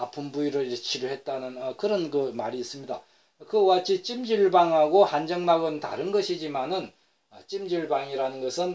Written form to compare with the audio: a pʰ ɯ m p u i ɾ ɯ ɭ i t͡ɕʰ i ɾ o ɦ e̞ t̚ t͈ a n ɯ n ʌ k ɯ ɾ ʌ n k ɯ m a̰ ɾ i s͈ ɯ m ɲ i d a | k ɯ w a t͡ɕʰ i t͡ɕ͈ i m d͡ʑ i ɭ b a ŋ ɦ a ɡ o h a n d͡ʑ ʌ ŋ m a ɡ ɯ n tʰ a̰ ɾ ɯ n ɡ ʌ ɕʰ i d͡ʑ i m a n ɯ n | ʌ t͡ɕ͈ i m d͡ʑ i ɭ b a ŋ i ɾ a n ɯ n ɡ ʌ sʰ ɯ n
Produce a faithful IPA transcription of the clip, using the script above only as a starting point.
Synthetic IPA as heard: a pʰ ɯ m b u i ɾ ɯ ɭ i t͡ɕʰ i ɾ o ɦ e̞ t̚ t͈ a n ɯ n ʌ k ɯ ɾ ʌ n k ɯ m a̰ ɾ iː s͈ ɯ m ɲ i d a | k ɯ w a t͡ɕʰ i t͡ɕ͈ i m d͡ʑ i ɭ b a ŋ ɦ a ɡ o h a n d͡ʑ ʌ ŋ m a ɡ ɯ n t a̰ ɾ ɯ n ɡ ʌ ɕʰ i d͡ʑ i m a n ɯ n | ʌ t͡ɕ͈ i m d͡ʑ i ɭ b a ŋ i ɾ a n ɯ n ɡ ʌ sʰ ɯ n

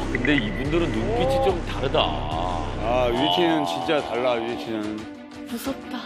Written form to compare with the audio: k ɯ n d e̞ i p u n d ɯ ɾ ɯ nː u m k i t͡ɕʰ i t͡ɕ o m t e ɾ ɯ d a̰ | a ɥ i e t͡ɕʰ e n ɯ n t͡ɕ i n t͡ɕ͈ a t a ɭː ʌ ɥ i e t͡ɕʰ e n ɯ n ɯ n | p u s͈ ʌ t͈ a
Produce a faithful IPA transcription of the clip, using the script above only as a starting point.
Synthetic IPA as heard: k ɯ n d e̞ i b u n d ɯ ɾ ɯ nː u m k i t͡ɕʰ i t͡ɕ o m t a ɾ ɯ d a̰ | a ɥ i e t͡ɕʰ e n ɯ n t͡ɕ i n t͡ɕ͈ a t a ɭː a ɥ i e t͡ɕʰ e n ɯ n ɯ n | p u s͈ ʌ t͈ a

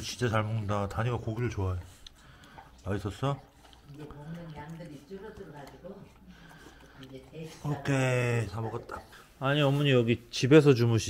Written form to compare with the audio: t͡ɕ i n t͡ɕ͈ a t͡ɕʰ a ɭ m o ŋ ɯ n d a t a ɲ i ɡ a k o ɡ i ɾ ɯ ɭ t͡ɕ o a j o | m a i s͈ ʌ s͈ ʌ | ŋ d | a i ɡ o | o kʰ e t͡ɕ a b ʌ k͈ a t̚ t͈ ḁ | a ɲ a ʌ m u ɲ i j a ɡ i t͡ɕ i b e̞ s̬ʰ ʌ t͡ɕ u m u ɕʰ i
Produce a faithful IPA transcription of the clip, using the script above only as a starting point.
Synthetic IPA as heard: t͡ɕ i n t͡ɕ͈ a t͡ɕ a ɭ m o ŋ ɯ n d a t a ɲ i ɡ a k o ɡ i ɾ ɯ ɭ t͡ɕ o a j o | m a i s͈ ʌ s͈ ʌ | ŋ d | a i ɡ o | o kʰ e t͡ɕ a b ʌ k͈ a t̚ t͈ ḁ | a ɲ i ʌ m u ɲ i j ʌ ɡ i t͡ɕ i b e̞ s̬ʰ ʌ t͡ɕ u m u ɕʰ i

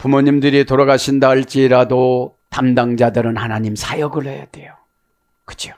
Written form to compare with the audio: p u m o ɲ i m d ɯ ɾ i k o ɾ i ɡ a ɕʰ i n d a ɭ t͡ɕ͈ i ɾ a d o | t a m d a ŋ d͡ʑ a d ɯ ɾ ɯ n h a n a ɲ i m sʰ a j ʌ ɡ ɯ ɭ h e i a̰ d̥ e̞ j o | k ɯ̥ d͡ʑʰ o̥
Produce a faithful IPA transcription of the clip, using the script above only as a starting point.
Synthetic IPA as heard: p u m o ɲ i m d ɯ ɾ i t o ɾ a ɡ a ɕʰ i n d a ɭ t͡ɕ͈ i ɾ a d o | t a m d a ŋ d͡ʑ a d ɯ ɾ ɯ n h a n a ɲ i m sʰ a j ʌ ɡ ɯ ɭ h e j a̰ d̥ e̞ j o | k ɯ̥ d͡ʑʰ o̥

